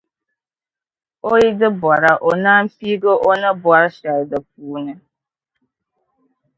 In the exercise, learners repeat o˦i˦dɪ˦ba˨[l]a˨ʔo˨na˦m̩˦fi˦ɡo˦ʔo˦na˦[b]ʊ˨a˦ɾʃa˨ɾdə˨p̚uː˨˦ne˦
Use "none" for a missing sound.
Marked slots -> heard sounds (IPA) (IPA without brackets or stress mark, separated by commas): ɾ, b